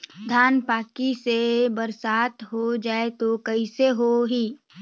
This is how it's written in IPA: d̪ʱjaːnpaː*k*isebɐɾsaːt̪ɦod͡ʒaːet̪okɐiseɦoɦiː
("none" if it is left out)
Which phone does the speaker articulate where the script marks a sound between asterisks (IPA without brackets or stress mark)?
k